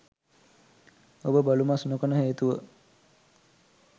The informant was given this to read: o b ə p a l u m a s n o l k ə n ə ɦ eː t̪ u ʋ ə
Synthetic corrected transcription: o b ə b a l u m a s n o k ə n ə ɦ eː t̪ u ʋ ə